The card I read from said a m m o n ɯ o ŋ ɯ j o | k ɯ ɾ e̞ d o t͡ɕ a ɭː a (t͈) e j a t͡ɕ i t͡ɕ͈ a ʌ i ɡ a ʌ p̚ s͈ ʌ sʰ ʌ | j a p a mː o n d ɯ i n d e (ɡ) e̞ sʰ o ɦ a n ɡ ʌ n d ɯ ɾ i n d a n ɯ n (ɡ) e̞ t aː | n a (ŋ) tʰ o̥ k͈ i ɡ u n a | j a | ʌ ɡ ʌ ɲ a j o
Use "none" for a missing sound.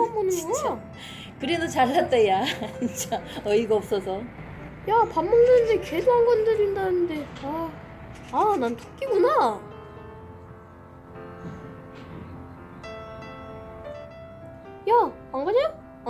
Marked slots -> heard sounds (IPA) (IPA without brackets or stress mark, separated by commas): t͈, k, d, n